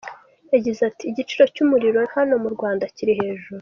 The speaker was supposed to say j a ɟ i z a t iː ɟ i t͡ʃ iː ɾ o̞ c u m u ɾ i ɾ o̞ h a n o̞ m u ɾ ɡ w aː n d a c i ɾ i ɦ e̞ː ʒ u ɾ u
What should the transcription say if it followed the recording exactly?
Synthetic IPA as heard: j a ɟ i z a t iː ɟ i t͡ʃ i ɾ o̞ c u m u ɾ i ɾ o̞ h a n o̞ m u ɾ ɡ w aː n d a c i ɾ i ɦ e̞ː ʒ u ɾ u